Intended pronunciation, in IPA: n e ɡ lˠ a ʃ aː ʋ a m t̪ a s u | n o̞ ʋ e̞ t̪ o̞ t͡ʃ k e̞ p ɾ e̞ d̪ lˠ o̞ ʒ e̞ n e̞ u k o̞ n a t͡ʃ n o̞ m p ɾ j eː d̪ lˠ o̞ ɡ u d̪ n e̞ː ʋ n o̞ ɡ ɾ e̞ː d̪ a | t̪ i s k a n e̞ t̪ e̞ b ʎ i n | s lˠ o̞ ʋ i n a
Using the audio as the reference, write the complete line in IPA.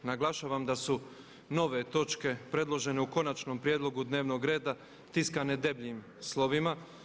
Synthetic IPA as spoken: n a ɡ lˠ a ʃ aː ʋ a m d̪ a s u | n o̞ ʋ e̞ t̪ o̞ t͡ʃ k e̞ p ɾ e̞ d̪ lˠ o̞ ʒ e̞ n e̞ u k o̞ n a t͡ʃ n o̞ m p ɾ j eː d̪ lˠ o̞ ɡ u d̪ n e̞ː ʋ n o̞ ɡ ɾ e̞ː d̪ a | t̪ i s k a n e̞ d̪ e̞ b ʎ i m | s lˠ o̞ ʋ i m a